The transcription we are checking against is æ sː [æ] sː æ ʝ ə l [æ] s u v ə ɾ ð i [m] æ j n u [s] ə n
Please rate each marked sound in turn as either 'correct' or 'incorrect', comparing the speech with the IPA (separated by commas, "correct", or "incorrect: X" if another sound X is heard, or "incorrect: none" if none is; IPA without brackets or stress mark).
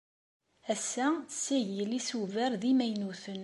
correct, incorrect: i, correct, incorrect: θ